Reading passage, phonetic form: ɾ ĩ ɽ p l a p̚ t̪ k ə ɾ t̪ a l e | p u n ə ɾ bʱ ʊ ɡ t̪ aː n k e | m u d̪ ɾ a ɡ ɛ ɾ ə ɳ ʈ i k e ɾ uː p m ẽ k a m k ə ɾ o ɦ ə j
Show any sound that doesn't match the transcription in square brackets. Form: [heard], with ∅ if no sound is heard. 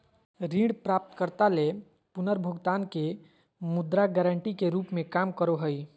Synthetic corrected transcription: ɾ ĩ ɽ p [ɾ] a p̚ t̪ k ə ɾ t̪ a l e | p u n ə ɾ bʱ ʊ ɡ t̪ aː n k e | m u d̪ ɾ a ɡ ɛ ɾ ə ɳ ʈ i k e ɾ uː p m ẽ k a m k ə ɾ o ɦ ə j

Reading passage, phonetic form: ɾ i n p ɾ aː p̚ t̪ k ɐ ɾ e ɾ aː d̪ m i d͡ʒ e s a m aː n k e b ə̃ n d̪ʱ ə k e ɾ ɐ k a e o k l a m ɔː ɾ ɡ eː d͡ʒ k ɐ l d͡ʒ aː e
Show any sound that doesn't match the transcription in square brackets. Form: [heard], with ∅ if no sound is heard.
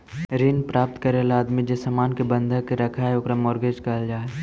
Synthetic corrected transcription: ɾ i n p ɾ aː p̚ t̪ k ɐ ɾ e [l] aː d̪ m i d͡ʒ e s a m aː n k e b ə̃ n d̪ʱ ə k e ɾ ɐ [kʰ] a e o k [ɾ] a m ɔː ɾ ɡ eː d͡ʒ k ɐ l d͡ʒ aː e

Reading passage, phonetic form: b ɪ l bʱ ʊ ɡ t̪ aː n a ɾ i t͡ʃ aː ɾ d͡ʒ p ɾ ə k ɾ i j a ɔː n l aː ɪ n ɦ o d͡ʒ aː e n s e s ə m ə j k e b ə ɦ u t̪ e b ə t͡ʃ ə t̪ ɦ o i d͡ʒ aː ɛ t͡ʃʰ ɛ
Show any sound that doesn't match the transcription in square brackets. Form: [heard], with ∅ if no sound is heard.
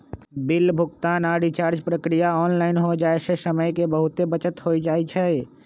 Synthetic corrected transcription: b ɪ l bʱ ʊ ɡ t̪ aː n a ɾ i t͡ʃ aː ɾ d͡ʒ p ɾ ə k ɾ i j a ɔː n l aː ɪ n ɦ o d͡ʒ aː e [∅] s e s ə m ə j k e b ə ɦ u t̪ e b ə t͡ʃ ə t̪ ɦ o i d͡ʒ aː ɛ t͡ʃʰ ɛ

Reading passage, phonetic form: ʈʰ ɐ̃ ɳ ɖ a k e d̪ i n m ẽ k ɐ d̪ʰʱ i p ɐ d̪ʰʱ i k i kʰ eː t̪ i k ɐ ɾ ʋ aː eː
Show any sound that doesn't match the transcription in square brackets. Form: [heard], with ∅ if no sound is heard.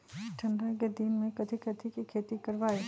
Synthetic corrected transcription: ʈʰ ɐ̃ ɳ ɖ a k e d̪ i n m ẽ k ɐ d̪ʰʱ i [k] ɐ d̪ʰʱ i k i kʰ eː t̪ i k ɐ ɾ ʋ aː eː

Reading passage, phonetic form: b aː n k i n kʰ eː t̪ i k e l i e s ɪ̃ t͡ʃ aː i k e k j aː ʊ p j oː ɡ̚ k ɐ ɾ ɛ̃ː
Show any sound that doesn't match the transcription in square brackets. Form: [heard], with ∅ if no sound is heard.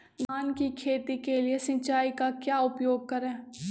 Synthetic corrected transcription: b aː n k i [∅] kʰ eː t̪ i k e l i e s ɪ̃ t͡ʃ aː i k [a] k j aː ʊ p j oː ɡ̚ k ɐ ɾ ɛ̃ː

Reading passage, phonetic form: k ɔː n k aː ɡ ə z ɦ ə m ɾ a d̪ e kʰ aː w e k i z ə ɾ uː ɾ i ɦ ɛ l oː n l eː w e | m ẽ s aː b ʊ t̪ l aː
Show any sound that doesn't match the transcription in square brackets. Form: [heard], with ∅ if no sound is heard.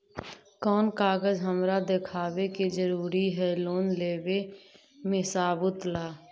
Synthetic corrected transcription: k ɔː n k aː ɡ ə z ɦ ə m ɾ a d̪ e kʰ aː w e k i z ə ɾ uː ɾ i ɦ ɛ l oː n l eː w e | m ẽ s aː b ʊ t̪ l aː

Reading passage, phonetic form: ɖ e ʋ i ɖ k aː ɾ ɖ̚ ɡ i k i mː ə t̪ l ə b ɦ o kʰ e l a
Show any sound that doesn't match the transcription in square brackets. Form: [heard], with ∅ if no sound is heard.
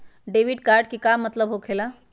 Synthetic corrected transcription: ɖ e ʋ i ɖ k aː ɾ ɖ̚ [k] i k [a] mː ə t̪ l ə b ɦ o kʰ e l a

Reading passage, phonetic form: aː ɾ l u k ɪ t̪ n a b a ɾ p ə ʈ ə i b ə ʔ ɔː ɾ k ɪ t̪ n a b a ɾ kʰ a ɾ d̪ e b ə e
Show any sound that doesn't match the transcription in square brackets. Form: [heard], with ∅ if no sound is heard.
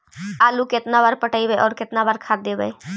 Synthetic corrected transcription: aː [∅] l u k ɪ t̪ n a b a ɾ p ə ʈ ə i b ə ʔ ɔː ɾ k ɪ t̪ n a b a ɾ kʰ a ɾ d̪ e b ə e

